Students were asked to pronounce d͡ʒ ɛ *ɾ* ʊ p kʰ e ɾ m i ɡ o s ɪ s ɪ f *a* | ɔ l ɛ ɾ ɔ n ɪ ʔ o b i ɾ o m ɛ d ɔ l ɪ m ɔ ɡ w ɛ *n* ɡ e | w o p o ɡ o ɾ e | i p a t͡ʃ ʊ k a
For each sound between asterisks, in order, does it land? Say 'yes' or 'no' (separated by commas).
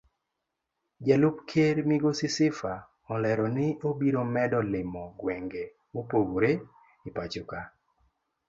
no, yes, no